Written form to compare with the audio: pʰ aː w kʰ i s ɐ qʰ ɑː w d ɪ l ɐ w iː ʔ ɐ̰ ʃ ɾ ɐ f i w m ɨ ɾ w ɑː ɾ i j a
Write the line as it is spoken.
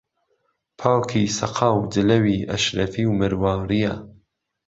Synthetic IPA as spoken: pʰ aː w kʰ i s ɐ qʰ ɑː w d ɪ l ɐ w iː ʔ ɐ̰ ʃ ɾ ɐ f i w m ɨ ɾ w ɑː ɾ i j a